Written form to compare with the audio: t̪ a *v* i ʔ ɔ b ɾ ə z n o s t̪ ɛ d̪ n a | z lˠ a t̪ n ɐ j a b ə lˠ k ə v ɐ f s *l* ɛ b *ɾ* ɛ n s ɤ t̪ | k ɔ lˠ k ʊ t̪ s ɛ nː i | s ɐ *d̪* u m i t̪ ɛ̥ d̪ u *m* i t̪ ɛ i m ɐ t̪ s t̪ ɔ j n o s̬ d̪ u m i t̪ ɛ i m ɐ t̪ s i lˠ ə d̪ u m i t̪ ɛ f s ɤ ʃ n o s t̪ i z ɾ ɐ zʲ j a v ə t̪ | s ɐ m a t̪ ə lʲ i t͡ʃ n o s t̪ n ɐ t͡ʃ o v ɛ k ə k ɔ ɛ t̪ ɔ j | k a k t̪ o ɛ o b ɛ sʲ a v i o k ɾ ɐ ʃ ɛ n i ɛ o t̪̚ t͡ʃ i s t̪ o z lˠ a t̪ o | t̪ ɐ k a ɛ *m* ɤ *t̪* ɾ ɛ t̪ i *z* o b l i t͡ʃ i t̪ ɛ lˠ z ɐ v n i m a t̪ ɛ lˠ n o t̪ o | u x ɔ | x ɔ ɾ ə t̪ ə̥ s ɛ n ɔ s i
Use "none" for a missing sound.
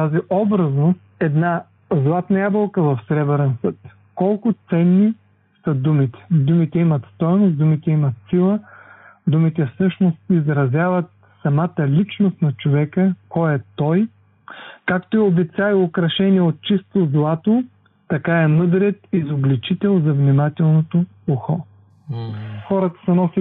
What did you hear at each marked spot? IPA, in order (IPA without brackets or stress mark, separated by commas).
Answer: z, ɾ, ɾ, d̪, m, m, d̪, z